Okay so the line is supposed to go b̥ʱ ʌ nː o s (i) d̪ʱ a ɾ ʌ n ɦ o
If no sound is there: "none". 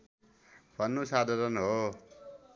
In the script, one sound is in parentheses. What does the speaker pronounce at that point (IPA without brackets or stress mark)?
a